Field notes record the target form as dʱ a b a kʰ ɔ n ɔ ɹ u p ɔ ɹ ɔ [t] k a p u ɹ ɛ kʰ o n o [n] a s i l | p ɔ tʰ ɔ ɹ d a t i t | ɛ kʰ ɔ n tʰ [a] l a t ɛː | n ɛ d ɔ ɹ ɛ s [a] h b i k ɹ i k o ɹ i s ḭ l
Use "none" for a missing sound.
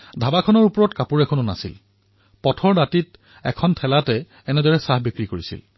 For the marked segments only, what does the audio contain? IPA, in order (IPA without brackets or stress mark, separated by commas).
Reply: t, n, ɛ, a